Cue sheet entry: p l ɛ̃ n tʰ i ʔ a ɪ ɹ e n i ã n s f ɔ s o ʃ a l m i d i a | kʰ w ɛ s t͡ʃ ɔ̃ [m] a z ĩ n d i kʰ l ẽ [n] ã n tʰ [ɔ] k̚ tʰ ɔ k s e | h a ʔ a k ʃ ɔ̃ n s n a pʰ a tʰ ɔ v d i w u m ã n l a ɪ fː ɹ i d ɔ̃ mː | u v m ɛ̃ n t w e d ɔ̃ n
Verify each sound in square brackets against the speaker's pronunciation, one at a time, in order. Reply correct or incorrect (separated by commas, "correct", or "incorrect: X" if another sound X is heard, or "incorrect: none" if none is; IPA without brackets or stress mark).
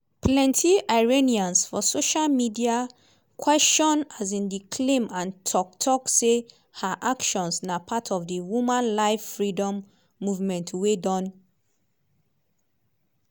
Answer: incorrect: n, incorrect: m, correct